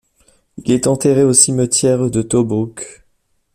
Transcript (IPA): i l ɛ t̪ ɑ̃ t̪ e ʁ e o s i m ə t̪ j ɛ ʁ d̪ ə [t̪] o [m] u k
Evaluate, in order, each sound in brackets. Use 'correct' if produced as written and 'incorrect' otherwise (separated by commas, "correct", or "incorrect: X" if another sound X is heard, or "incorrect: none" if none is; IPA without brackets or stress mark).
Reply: correct, incorrect: b